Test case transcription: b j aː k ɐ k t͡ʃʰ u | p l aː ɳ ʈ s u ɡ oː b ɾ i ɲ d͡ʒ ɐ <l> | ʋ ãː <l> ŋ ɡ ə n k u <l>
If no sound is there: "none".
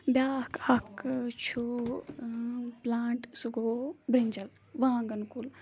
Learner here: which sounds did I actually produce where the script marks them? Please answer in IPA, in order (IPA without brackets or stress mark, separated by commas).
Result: l, none, l